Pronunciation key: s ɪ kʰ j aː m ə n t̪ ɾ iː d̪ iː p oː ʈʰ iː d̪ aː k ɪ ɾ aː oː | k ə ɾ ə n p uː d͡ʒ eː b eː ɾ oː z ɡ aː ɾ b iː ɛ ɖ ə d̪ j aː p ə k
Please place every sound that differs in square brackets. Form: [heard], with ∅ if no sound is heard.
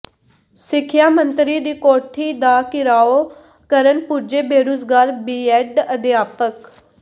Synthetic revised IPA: s ɪ kʰ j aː m ə n t̪ ɾ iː d̪ iː [k] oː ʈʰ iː d̪ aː k ɪ ɾ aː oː | k ə ɾ ə n p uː d͡ʒ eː b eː ɾ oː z ɡ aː ɾ b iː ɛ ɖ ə d̪ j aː p ə k